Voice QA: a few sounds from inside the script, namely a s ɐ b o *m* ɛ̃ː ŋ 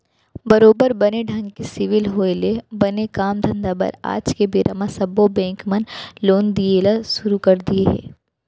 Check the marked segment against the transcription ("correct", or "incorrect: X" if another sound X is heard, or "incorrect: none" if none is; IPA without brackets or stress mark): incorrect: b